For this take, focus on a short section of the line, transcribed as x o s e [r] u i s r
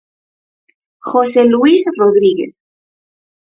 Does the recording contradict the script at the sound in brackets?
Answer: yes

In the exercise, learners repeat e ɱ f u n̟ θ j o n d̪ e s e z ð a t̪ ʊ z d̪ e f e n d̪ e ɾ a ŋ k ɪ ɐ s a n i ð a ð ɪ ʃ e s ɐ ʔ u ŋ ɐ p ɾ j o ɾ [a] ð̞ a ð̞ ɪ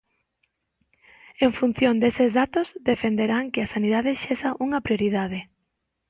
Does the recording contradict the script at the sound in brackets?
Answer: yes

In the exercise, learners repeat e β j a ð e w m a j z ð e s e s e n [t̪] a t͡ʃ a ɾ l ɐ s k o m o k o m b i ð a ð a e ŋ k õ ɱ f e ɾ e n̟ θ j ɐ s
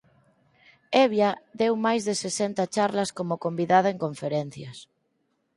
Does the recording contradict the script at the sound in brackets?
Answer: no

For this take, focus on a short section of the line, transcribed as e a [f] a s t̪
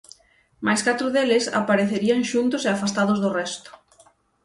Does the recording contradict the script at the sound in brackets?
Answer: no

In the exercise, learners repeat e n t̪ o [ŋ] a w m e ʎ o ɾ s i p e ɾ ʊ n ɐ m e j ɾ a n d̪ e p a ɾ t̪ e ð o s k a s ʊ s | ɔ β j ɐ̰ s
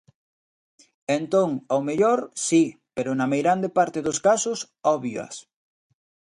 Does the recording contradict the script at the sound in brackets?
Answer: no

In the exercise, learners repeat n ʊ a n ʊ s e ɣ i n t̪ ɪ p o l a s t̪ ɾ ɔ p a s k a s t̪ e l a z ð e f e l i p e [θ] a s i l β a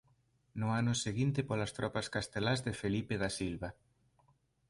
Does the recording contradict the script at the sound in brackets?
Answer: yes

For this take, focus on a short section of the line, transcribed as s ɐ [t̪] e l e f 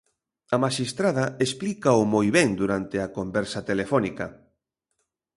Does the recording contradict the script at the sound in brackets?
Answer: no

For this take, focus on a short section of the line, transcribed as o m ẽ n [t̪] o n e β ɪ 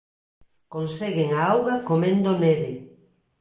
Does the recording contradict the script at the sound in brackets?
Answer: yes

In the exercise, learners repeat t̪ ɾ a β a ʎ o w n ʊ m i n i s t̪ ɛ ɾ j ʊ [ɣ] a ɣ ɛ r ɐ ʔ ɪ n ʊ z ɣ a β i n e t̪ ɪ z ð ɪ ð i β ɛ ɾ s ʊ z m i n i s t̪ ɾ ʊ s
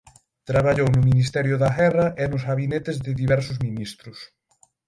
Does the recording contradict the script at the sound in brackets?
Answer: yes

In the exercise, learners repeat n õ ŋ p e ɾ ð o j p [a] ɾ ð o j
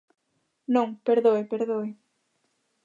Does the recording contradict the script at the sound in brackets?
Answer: yes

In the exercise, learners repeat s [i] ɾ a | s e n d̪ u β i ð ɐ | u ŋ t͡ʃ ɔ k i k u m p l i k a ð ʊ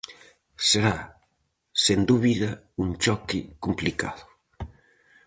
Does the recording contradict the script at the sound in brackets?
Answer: yes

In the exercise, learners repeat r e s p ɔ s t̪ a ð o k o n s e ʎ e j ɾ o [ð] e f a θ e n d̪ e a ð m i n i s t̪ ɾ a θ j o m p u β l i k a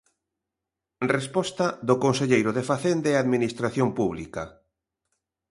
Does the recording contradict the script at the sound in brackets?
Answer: no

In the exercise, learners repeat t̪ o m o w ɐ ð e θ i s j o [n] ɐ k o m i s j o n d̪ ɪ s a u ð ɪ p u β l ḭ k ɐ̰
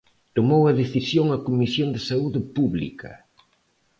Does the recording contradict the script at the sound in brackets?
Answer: yes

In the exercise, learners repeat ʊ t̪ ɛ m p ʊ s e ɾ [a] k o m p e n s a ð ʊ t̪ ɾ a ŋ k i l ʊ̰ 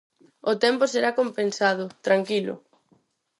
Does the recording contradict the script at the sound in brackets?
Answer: no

